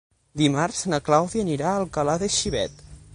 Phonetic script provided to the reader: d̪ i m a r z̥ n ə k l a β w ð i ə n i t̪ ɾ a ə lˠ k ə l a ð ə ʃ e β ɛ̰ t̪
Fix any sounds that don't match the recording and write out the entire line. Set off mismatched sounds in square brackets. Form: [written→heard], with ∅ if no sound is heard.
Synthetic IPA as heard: d̪ i m a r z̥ n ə k l a [β→∅] w ð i ə n i [t̪→∅] ɾ a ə lˠ k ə l a ð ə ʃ [e→i] β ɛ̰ t̪